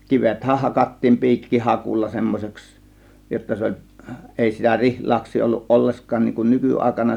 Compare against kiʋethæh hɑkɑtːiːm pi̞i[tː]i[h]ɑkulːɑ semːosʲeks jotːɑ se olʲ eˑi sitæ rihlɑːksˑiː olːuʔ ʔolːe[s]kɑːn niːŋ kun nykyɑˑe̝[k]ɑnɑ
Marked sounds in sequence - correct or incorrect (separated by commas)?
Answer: incorrect, correct, correct, correct